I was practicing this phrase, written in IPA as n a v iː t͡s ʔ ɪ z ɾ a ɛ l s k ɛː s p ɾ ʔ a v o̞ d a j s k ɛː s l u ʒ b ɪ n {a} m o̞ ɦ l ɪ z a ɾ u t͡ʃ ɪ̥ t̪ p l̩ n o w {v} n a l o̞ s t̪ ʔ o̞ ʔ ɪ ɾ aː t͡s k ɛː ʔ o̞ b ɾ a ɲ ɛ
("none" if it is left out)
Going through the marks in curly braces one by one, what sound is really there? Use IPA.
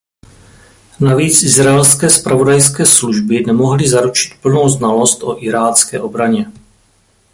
ɛ, z

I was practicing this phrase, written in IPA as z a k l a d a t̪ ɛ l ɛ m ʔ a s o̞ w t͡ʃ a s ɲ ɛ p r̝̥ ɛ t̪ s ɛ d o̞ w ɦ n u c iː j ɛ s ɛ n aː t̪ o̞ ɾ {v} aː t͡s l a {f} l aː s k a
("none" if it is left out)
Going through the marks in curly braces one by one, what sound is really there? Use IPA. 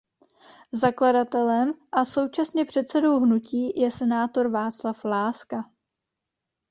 v, f

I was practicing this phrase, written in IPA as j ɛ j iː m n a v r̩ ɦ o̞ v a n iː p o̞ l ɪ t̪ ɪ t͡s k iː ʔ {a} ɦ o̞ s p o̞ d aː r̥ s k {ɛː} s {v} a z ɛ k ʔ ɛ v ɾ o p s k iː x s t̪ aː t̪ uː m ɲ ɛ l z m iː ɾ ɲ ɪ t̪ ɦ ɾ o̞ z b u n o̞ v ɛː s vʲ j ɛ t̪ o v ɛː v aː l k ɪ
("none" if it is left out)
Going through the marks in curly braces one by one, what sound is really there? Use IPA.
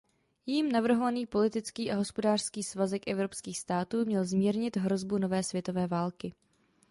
a, iː, v

